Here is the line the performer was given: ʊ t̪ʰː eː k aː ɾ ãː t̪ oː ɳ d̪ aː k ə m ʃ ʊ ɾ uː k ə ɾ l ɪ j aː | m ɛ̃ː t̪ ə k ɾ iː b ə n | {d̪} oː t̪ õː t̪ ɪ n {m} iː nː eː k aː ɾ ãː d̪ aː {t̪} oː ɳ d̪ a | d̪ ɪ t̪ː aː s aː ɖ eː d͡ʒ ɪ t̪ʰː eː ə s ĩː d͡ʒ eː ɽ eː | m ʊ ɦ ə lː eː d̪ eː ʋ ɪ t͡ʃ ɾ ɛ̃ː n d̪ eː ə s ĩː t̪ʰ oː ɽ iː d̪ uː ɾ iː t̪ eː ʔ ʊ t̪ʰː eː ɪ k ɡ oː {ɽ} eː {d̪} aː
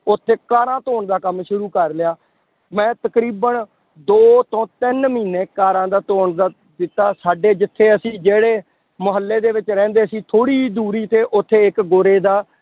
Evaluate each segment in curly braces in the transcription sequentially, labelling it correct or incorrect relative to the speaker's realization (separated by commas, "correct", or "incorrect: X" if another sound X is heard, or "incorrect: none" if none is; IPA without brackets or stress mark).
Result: correct, correct, correct, incorrect: ɾ, correct